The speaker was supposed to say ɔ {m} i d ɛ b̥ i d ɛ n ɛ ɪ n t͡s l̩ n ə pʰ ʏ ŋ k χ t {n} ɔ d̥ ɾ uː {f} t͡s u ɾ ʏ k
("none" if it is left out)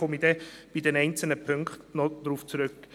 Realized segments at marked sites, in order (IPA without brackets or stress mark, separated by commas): m, n, f